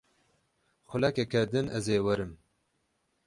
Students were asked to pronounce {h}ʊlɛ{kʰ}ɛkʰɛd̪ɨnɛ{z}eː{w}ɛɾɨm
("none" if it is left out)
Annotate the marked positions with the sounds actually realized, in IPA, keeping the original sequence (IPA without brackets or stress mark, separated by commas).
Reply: x, k, z, w